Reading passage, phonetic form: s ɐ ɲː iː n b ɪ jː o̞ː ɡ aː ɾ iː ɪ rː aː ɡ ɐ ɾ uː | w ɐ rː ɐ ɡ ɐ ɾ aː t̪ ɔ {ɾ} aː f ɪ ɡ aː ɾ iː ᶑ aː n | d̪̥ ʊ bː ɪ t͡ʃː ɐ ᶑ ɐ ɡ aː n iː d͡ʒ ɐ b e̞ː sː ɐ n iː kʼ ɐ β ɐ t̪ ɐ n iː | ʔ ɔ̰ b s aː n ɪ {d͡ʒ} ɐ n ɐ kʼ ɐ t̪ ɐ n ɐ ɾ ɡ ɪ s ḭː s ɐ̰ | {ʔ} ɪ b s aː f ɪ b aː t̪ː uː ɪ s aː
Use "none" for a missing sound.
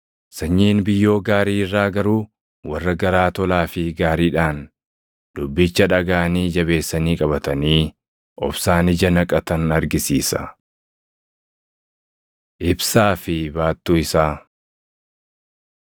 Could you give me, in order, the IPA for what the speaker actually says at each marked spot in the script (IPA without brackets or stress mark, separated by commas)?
l, d͡ʒ, ʔ